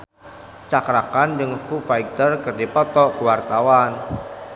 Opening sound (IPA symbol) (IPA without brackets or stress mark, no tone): t͡ʃ